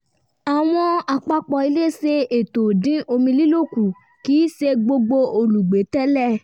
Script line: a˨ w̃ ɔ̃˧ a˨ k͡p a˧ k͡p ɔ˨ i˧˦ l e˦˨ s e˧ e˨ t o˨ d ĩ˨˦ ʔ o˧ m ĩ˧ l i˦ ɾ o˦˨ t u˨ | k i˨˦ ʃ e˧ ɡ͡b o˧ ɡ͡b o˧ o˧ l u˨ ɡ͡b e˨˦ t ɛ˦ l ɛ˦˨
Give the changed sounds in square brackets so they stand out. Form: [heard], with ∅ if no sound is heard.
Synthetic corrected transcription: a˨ w̃ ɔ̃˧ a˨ k͡p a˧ k͡p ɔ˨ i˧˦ l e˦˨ s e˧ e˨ t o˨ d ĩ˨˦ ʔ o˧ m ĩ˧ l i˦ [l] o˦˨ [k] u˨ | k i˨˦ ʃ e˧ ɡ͡b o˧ ɡ͡b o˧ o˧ l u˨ ɡ͡b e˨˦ t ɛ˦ l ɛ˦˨

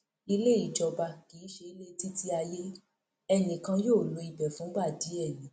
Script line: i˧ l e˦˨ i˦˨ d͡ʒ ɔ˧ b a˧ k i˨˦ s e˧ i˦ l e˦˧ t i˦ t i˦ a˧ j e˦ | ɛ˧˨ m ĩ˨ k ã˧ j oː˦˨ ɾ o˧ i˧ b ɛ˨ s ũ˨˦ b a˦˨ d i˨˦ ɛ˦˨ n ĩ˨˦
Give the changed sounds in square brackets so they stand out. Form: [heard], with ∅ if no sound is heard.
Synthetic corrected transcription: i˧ l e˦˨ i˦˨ d͡ʒ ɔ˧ b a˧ k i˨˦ [ʃ] e˧ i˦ l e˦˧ t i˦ t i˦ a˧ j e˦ | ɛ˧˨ [n] ĩ˨ k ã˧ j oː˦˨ [l] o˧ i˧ b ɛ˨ [f] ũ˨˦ b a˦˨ d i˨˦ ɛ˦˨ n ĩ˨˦

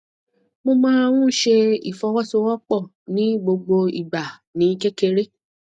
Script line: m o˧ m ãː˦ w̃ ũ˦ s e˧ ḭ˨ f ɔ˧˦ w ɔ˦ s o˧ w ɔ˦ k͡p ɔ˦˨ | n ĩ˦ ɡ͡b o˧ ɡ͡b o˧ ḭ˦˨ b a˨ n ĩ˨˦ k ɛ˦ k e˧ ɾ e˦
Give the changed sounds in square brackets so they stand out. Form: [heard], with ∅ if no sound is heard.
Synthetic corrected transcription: m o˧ m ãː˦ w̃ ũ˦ [ʃ] e˧ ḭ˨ f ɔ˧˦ w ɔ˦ s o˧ w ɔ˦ k͡p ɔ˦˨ | n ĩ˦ ɡ͡b o˧ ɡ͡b o˧ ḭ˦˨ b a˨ n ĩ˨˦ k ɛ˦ k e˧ ɾ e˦

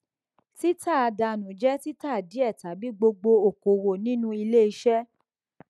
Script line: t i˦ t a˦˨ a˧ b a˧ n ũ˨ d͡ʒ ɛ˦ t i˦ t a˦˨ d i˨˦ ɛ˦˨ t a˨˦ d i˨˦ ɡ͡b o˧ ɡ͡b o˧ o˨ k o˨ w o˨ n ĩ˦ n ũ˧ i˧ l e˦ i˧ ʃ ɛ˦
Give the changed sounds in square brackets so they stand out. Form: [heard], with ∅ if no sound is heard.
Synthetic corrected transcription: t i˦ t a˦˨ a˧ [d] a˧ n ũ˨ d͡ʒ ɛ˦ t i˦ t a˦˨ d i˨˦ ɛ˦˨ t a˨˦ [b] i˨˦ ɡ͡b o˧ ɡ͡b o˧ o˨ k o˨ w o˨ n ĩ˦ n ũ˧ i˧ l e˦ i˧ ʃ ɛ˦

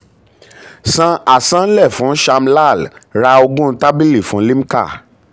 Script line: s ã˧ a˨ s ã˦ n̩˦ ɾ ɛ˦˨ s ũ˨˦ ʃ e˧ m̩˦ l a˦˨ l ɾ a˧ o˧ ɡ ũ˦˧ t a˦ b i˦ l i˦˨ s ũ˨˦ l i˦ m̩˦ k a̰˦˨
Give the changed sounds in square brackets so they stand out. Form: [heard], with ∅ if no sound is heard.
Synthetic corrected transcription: s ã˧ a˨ s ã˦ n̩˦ [l] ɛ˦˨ [f] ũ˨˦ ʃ [a˧] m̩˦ l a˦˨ l ɾ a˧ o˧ ɡ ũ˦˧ t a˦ b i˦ l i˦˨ [f] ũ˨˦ l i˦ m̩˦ k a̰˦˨

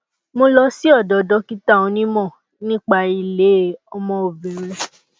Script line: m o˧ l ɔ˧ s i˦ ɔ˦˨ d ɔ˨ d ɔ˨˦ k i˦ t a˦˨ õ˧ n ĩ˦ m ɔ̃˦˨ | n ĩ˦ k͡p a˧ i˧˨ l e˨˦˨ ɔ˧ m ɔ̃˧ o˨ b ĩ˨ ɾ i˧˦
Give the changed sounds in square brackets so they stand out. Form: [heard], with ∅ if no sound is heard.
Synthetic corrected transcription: m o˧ l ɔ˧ s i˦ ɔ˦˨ d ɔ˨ d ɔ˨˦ k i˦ t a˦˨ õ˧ n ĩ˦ m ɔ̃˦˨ | n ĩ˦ k͡p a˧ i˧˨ l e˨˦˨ ɔ˧ m ɔ̃˧ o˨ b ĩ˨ ɾ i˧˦

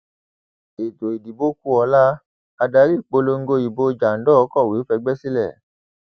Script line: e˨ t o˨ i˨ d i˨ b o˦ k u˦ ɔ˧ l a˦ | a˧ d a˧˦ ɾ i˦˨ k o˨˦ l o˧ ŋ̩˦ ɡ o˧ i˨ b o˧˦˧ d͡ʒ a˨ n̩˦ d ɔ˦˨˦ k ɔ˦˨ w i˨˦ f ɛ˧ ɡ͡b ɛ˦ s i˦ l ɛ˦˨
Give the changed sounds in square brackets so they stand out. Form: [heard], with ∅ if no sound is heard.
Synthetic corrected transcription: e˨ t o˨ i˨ d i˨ b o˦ k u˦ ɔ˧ l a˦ | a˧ d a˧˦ ɾ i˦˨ [k͡p] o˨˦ l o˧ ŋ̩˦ ɡ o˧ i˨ b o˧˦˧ d͡ʒ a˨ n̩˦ d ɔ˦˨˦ k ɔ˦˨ w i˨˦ f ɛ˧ ɡ͡b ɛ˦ s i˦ l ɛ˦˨

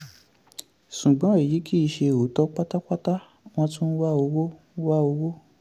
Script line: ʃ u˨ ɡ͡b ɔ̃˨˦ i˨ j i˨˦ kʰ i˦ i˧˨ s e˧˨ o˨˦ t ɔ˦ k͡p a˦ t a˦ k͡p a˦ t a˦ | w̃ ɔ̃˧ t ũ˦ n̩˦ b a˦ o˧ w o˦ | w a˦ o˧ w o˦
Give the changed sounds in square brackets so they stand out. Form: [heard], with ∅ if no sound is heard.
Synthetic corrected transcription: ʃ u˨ ɡ͡b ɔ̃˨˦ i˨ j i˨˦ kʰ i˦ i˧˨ [ʃ] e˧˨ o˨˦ t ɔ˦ k͡p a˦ t a˦ k͡p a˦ t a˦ | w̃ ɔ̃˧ t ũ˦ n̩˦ [w] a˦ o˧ w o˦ | w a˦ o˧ w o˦

